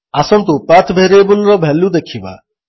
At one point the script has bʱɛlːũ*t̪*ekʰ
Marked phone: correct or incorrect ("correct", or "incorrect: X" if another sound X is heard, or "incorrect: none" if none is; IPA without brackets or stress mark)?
incorrect: d̪